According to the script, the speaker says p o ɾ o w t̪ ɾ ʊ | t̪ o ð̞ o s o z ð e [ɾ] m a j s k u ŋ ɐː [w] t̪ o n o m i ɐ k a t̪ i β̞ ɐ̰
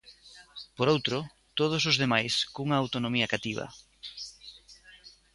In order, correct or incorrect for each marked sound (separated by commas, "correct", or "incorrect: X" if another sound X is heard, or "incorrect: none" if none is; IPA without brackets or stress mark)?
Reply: incorrect: none, correct